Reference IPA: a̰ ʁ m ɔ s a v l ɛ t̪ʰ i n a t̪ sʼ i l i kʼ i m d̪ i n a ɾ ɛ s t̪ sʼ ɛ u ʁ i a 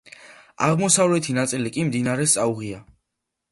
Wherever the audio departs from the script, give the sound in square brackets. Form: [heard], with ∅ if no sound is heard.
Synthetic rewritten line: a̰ ʁ m ɔ s a v l ɛ t̪ʰ i n a t̪ sʼ i l i kʼ i m d̪ i n a ɾ ɛ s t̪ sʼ [a] u ʁ i a